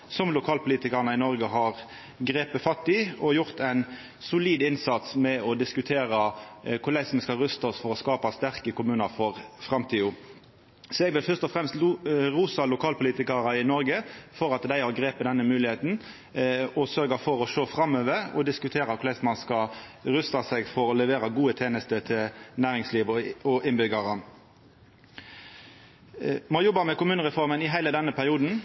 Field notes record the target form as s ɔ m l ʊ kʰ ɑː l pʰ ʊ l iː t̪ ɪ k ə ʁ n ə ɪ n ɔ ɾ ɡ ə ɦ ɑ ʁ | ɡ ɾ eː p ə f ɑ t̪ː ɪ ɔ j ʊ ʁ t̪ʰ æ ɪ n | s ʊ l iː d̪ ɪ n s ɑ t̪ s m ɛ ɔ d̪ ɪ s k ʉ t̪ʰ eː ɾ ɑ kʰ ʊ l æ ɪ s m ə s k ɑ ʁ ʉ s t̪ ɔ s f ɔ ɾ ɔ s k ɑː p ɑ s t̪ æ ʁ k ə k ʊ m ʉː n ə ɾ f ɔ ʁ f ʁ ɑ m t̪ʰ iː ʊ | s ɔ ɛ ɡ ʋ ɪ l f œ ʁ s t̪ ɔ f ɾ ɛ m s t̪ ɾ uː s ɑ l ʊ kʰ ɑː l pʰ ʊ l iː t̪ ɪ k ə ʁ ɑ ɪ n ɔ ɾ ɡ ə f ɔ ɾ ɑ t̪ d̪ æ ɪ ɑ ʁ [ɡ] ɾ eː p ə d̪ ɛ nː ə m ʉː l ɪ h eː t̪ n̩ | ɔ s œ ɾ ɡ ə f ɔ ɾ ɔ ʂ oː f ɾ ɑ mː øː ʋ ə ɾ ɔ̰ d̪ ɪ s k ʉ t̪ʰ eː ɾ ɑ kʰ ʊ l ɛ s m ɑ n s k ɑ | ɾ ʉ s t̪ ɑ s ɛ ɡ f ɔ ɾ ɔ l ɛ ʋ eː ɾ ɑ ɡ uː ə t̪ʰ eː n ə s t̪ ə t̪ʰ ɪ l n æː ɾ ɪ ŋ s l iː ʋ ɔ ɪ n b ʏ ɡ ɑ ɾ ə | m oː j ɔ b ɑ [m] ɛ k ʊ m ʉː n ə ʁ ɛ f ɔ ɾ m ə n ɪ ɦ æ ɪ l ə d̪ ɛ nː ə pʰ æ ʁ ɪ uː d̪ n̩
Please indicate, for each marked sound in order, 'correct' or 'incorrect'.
correct, correct

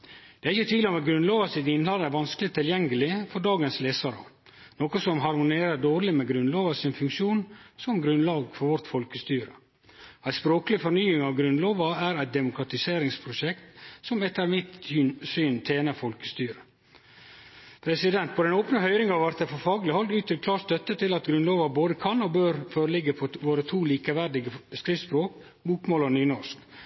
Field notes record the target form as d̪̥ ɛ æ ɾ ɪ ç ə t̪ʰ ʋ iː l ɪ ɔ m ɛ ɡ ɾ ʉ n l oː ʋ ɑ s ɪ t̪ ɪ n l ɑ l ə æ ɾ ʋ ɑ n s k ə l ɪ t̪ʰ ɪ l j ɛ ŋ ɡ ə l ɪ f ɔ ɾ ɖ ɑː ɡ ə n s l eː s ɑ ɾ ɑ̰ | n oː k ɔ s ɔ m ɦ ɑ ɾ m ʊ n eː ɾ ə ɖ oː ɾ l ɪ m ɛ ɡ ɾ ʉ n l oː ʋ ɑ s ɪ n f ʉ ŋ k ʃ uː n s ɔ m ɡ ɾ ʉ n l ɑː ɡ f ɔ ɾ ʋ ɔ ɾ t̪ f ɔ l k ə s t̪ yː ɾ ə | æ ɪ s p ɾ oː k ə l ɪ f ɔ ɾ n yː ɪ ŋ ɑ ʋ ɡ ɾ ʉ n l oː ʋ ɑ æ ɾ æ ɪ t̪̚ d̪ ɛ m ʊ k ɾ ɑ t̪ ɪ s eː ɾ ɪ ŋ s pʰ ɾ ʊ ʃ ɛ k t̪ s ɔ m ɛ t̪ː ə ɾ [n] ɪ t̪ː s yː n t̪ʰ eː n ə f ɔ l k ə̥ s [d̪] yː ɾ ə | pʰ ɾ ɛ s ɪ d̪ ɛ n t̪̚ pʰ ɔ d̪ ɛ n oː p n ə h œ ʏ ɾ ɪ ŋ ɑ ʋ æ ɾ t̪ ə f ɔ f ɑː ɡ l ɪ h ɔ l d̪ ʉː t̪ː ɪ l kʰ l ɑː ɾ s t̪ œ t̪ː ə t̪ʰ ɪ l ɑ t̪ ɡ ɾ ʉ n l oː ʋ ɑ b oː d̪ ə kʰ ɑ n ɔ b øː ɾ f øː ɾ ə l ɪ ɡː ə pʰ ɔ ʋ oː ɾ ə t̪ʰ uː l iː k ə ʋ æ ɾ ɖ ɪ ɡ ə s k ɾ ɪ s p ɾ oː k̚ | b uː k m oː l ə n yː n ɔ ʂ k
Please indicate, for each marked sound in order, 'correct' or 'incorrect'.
incorrect: m, incorrect: t̪

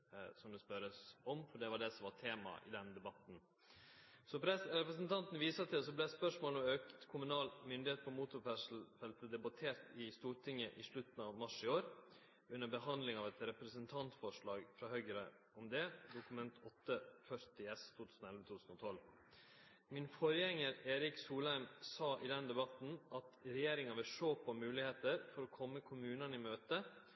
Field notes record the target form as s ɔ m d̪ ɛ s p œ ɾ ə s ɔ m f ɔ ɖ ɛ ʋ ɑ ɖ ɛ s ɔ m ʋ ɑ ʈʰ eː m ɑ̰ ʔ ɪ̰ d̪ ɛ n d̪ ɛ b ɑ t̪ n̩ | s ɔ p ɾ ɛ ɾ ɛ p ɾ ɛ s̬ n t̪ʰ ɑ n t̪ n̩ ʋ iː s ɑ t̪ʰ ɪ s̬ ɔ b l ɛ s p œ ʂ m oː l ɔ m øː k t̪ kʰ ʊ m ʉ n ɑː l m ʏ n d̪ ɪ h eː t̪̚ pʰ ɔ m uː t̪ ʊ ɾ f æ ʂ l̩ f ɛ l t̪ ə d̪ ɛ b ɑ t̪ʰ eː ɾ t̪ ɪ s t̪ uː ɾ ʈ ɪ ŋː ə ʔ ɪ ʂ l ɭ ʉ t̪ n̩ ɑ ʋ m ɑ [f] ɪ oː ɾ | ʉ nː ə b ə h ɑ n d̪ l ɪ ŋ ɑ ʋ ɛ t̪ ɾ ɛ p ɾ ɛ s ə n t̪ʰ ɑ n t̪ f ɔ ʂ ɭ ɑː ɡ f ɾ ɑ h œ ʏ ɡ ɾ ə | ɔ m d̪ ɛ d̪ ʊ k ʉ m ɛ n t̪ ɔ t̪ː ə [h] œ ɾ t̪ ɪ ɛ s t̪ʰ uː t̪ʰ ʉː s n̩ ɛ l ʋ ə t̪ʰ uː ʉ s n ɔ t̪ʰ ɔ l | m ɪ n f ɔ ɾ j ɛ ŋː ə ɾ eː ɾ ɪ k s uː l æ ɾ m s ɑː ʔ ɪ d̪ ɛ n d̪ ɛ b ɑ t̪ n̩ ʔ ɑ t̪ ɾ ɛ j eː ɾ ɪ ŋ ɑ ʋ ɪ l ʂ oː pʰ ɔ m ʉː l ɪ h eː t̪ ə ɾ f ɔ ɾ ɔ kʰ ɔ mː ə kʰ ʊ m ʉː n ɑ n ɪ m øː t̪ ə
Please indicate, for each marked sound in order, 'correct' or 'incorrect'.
incorrect: ʂ, incorrect: f

